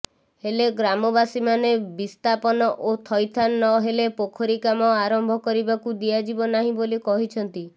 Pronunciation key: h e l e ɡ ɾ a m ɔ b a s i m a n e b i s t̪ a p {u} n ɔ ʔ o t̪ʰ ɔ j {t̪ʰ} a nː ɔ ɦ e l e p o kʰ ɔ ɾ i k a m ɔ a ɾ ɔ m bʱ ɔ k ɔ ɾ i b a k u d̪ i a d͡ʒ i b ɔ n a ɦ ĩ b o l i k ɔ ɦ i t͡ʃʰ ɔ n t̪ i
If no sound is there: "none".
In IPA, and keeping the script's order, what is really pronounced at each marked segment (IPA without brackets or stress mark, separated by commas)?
ɔ, t̪ʰ